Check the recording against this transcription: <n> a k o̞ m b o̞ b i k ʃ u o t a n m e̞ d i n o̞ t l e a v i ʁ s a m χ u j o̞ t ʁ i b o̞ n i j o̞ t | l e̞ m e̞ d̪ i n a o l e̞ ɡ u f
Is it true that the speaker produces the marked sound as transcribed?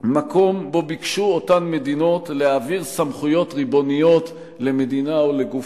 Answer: no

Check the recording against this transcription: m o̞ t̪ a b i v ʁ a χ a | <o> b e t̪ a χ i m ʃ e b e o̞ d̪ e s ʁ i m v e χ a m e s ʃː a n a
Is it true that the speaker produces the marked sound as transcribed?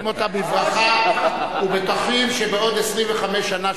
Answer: no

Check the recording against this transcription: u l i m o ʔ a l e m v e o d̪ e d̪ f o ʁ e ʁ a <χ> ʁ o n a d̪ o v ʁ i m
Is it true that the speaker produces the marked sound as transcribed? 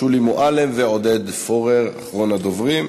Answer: yes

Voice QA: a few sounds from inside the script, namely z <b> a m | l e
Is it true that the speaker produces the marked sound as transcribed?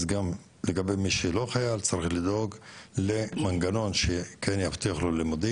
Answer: no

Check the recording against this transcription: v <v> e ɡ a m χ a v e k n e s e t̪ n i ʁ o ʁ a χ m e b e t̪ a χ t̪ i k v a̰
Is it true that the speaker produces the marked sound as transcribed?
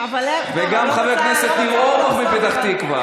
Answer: yes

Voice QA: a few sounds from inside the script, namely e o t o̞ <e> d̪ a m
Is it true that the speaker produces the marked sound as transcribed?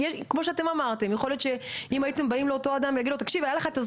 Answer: no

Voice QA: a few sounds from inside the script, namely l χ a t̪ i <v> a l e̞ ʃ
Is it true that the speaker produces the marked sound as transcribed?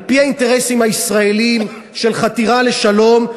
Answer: no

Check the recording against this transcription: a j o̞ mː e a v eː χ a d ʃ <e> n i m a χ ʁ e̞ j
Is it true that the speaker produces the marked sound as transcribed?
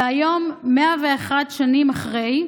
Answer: no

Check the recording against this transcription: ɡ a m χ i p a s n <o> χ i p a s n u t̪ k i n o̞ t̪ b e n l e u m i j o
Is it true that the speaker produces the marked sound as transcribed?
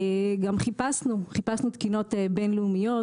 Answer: no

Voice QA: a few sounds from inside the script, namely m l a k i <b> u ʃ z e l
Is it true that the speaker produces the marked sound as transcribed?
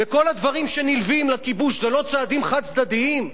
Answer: yes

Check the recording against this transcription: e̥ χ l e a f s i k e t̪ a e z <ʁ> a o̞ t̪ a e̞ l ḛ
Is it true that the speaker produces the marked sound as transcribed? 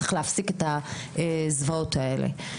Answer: no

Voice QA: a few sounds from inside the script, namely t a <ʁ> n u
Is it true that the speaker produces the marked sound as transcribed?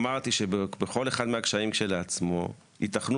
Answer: no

